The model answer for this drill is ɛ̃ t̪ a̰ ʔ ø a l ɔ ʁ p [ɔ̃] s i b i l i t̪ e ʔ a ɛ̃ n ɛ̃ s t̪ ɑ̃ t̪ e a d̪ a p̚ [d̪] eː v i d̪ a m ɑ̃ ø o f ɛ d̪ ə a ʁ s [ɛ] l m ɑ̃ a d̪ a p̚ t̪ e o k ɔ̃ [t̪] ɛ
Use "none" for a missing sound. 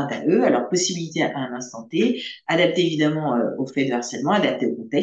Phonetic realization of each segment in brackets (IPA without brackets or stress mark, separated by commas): ɔ, t̪, ɛ, t̪